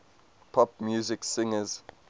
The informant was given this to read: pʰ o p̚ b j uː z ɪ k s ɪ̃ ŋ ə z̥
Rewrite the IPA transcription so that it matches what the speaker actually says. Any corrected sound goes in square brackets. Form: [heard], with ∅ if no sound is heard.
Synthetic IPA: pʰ [ɔ] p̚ [m] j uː z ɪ k s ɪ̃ ŋ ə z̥